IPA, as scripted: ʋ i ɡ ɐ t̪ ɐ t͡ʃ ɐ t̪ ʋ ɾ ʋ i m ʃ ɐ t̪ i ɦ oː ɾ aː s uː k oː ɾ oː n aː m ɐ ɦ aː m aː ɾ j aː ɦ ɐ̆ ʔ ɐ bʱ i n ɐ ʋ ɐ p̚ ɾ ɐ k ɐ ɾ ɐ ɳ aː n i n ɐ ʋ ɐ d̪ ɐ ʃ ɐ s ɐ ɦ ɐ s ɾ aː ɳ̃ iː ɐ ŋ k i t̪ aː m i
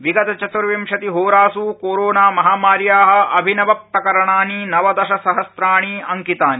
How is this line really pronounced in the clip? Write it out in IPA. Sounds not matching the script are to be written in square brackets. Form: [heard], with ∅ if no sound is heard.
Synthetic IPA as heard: ʋ i ɡ ɐ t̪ ɐ t͡ʃ ɐ t̪ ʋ ɾ ʋ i m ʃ ɐ t̪ i ɦ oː ɾ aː s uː k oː ɾ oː n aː m ɐ ɦ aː m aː ɾ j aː ɦ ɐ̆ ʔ ɐ bʱ i n ɐ ʋ ɐ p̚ ɾ ɐ k ɐ ɾ ɐ ɳ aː n i n ɐ ʋ ɐ d̪ ɐ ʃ ɐ s ɐ ɦ ɐ s ɾ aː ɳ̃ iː ɐ ŋ k i t̪ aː [n] i